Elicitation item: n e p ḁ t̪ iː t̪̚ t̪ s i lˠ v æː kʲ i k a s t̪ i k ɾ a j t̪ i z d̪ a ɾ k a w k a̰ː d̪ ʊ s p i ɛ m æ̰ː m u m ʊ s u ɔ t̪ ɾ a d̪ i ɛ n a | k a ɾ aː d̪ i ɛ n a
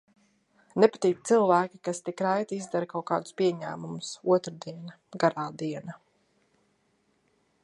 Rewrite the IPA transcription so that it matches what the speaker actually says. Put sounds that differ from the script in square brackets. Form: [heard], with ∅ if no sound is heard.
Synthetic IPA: n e p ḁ t̪ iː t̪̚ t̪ s i lˠ v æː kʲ i k a s t̪ i k ɾ a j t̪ i z d̪ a ɾ k a w k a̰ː d̪ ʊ s p i ɛ [ɲ] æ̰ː m u m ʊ s u ɔ t̪ ɾ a d̪ i ɛ n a | [ɡ] a ɾ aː d̪ i ɛ n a